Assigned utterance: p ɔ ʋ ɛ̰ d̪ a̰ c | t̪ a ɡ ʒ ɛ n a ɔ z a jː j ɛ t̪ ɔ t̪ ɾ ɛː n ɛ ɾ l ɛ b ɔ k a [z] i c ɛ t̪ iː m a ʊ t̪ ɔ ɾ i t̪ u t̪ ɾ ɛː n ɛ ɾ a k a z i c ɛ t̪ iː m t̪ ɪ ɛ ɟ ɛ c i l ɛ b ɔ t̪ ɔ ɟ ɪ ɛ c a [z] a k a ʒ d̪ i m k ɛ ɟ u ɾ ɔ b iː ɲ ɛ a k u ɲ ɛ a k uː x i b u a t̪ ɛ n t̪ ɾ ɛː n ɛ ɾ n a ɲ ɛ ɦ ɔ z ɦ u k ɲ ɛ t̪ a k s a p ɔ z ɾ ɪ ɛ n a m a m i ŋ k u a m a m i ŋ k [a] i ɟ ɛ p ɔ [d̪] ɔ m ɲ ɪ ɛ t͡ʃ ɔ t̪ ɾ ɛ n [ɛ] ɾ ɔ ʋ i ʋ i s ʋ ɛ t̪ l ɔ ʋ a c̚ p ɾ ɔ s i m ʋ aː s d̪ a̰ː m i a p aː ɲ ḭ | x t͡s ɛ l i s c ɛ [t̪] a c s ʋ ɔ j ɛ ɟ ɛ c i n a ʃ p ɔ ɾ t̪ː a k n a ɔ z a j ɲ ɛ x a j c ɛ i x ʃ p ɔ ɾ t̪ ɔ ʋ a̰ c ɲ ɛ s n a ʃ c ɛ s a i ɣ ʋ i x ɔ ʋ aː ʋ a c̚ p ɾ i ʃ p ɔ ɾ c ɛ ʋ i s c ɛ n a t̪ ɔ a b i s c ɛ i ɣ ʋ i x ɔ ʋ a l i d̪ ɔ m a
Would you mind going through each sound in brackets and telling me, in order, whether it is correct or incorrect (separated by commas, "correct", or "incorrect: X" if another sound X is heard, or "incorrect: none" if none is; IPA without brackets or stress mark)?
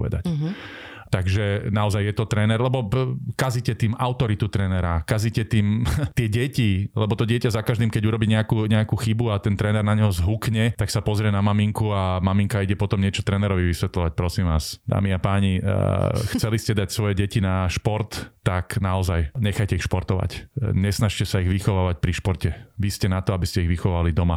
correct, correct, correct, incorrect: t̪, correct, incorrect: d̪